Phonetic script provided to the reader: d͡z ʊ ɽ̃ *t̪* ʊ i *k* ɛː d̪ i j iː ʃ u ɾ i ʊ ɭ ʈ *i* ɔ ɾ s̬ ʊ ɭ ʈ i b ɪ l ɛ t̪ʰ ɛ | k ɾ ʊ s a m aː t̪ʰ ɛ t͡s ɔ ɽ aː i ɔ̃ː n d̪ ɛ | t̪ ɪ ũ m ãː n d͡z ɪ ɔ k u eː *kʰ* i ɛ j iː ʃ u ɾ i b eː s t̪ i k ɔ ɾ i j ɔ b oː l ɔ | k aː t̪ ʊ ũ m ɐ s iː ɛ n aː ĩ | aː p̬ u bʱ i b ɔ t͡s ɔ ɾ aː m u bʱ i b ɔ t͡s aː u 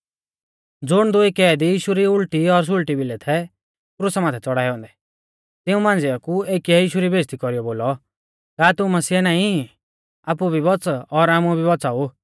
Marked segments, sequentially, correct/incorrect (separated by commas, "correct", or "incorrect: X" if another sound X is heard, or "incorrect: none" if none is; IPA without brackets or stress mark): incorrect: d̪, correct, correct, incorrect: k